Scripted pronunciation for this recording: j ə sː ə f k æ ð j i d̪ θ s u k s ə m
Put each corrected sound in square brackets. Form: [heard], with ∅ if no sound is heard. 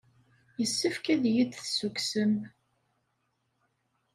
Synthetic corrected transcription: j ə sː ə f k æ ð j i d̪ θ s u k s ə m